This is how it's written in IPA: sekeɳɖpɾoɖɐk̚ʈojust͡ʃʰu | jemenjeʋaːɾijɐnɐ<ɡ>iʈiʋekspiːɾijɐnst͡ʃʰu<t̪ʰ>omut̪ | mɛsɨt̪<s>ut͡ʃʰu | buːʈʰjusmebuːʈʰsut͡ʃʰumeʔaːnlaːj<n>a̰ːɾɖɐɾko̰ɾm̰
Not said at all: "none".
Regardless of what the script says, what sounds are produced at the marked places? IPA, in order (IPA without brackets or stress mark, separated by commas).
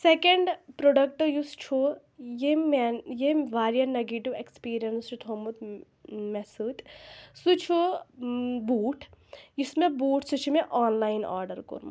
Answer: ɡ, t̪ʰ, s, n